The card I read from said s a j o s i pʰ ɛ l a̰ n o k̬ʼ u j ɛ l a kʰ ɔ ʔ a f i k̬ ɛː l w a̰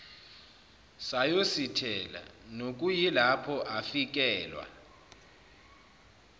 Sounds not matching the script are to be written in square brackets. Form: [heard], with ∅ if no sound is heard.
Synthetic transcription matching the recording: s a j o s i [tʰ] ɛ l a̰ n o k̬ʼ u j [i] l a [pʰ] ɔ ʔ a f i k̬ ɛː l w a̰